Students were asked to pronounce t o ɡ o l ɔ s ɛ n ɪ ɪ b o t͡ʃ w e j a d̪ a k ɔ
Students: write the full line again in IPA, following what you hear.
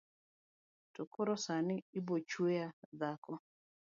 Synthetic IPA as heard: t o k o ɾ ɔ s a n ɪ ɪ b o t͡ʃ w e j a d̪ a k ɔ